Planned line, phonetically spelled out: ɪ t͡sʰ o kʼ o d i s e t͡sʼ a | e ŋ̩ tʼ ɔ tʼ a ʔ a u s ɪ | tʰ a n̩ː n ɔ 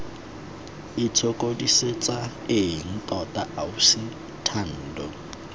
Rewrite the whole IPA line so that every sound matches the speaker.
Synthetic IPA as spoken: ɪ t͡sʰ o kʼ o d i s e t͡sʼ a | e ŋ̩ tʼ ɔ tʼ a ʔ a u s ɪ | tʰ a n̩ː d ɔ